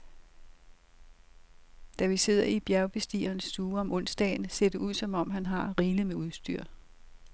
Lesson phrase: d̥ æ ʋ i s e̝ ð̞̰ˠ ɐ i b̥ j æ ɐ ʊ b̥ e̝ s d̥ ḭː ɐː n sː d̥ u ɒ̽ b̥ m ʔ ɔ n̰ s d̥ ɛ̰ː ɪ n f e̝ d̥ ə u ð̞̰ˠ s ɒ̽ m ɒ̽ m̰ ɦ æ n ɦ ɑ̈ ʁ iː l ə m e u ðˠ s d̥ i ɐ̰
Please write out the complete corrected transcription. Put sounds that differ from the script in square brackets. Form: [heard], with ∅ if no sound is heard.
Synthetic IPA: d̥ æ ʋ i s e̝ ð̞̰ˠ ɐ i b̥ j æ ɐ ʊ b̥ e̝ s d̥ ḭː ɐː n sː d̥ [uː] ɒ̽ [∅] m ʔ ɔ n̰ s d̥ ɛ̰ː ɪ n [s] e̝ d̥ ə u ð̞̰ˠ s ɒ̽ m ɒ̽ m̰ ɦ æ n ɦ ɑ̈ ʁ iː l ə m e u ðˠ s d̥ [y] ɐ̰